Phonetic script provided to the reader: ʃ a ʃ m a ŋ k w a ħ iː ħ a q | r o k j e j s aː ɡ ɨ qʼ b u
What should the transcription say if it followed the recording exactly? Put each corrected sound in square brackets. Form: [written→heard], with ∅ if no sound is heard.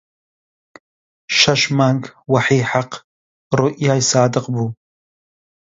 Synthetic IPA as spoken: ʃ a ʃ m a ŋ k w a ħ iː ħ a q | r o [k→ʔ] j [e→a] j s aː [ɡ→d] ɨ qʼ b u

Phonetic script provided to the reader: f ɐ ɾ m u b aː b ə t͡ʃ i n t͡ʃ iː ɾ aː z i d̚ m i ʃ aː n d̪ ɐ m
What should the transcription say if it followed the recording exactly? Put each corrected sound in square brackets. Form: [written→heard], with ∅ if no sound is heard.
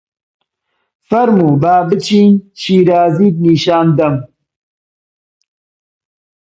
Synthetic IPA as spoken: f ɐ ɾ m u b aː b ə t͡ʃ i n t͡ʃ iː ɾ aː z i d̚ [m→n] i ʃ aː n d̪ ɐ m

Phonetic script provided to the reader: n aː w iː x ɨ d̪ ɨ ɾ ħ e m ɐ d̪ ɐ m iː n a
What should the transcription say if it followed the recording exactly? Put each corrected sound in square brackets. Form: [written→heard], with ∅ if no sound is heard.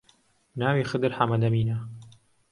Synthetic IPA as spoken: n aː w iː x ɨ d̪ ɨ ɾ ħ [e→a] m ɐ d̪ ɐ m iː n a

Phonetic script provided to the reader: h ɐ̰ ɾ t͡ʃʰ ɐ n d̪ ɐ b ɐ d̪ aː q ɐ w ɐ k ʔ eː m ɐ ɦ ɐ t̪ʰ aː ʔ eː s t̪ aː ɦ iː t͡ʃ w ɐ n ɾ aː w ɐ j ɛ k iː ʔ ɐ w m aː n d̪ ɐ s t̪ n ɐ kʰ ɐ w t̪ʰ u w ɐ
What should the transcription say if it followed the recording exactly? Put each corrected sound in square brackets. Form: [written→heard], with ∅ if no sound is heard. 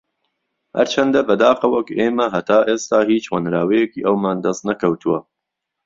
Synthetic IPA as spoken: h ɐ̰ ɾ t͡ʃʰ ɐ n d̪ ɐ b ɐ d̪ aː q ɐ w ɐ k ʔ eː m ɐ ɦ ɐ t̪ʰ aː ʔ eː s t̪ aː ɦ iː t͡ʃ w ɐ n ɾ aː w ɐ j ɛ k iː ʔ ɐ w m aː n d̪ ɐ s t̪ n ɐ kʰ ɐ w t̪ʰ u w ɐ

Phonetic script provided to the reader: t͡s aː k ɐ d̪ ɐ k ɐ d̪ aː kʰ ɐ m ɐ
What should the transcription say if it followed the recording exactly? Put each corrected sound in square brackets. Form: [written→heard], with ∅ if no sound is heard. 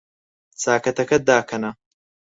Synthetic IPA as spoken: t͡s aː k ɐ [d̪→t̪] ɐ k ɐ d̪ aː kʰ ɐ [m→n] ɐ

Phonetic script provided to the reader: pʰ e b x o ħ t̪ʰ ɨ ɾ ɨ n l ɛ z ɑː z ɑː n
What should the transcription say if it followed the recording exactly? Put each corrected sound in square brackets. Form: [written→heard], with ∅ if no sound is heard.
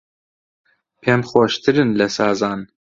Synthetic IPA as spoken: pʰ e [b→m] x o [ħ→ʃ] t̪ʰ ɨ ɾ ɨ n l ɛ [z→s] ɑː z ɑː n

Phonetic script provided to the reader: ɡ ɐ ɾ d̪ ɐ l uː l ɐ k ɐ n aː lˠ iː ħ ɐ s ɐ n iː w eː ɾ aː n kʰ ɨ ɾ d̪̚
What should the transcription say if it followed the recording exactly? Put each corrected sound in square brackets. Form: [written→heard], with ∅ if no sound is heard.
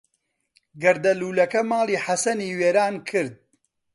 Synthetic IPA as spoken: ɡ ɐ ɾ d̪ ɐ l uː l ɐ k ɐ [n→m] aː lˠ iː ħ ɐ s ɐ n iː w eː ɾ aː n kʰ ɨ ɾ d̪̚

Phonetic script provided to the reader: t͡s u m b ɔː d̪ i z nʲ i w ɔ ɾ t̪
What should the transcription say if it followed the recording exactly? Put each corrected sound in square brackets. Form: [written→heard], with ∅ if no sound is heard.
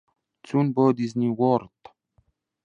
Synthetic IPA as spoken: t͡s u [m→n] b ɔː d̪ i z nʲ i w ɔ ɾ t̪

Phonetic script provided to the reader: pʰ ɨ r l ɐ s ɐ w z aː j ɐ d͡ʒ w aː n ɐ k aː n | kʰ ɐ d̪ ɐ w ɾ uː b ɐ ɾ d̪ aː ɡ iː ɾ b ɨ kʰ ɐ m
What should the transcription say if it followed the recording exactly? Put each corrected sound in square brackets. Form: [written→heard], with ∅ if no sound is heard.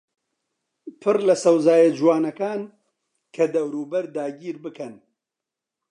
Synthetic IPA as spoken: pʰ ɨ r l ɐ s ɐ w z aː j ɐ d͡ʒ w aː n ɐ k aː n | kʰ ɐ d̪ ɐ w ɾ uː b ɐ ɾ d̪ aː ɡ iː ɾ b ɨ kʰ ɐ [m→n]

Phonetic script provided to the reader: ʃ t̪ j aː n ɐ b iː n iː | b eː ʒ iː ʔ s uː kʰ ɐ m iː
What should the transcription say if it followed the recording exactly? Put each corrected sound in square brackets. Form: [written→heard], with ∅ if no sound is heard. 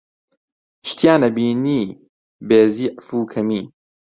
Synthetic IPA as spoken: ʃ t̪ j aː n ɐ b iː n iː | b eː [ʒ→z] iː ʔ [s→f] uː kʰ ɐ m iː

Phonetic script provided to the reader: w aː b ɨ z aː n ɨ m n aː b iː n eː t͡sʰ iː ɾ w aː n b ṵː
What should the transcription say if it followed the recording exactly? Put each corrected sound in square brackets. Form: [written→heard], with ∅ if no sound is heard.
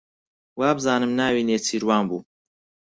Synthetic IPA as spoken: w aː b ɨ z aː n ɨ m n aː [b→w] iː n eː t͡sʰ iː ɾ w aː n b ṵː

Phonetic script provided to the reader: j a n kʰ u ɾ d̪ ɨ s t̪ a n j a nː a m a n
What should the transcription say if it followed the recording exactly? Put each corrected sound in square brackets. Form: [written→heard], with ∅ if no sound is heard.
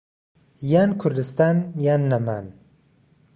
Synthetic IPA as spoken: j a n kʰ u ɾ d̪ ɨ s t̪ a n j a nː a m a n

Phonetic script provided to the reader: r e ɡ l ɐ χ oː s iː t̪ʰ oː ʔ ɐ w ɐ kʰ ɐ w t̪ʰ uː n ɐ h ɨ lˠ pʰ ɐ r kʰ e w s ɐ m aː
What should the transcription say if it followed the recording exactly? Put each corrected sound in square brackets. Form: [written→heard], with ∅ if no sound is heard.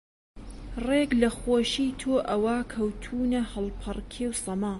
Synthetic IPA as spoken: r e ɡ l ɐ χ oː [s→ʃ] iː t̪ʰ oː ʔ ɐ w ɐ kʰ ɐ w t̪ʰ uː n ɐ h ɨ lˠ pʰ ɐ r kʰ e w s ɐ m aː

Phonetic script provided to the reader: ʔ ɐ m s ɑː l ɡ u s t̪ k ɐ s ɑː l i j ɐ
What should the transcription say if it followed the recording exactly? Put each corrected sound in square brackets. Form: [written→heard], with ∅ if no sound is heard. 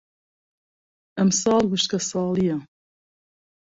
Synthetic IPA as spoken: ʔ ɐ m s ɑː l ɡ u [s→ʃ] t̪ k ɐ s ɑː l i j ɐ

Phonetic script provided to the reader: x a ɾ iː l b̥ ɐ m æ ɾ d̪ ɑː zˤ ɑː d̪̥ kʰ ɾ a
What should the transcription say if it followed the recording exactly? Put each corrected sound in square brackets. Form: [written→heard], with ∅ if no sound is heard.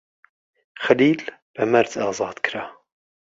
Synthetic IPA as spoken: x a [ɾ→l] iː l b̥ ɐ m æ ɾ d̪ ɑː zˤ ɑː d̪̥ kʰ ɾ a

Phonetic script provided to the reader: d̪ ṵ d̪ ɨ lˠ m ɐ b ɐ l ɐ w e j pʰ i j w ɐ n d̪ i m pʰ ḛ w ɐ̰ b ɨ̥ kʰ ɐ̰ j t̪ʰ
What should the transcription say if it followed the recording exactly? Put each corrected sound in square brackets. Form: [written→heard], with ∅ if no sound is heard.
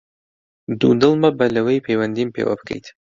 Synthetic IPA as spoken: d̪ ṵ d̪ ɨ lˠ m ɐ b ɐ l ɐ w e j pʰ [i→e] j w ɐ n d̪ i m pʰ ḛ w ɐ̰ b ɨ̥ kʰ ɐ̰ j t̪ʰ

